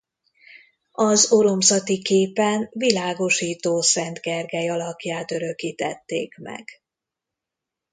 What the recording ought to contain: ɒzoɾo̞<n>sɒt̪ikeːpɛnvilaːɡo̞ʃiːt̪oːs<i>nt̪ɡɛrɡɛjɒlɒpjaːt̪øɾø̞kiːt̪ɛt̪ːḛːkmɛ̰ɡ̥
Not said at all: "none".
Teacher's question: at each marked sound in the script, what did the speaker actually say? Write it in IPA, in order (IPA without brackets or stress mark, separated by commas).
m, ɛ